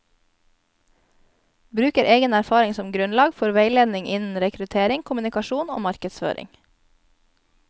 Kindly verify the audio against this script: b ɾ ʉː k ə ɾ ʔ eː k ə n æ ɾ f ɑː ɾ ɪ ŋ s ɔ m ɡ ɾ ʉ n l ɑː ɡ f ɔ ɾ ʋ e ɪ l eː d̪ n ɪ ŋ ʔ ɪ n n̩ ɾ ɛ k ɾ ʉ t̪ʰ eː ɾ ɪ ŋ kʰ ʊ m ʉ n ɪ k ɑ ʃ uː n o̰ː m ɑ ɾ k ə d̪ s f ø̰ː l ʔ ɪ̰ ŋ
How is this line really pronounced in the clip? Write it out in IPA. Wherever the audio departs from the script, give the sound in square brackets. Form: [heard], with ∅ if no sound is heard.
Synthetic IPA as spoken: b ɾ ʉː k ə ɾ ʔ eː [ɡ] ə n æ ɾ f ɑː ɾ ɪ ŋ s ɔ m ɡ ɾ ʉ n l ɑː ɡ f ɔ ɾ ʋ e ɪ l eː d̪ n ɪ ŋ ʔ ɪ n n̩ ɾ ɛ k ɾ ʉ t̪ʰ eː ɾ ɪ ŋ kʰ ʊ m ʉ n ɪ k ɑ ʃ uː n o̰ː m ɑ ɾ k ə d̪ s f ø̰ː [ɾ] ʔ ɪ̰ ŋ